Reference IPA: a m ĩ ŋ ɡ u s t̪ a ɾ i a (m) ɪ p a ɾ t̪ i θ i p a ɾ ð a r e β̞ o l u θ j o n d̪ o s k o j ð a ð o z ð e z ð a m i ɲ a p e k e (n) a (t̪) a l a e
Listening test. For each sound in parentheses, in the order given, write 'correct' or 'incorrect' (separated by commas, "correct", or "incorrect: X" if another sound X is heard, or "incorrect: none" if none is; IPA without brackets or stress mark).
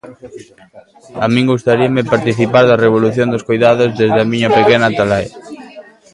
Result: correct, correct, correct